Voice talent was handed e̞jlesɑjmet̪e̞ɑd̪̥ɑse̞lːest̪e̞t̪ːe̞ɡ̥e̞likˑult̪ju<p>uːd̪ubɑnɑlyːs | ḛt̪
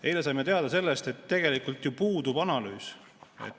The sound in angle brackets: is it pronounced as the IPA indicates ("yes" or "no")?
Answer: yes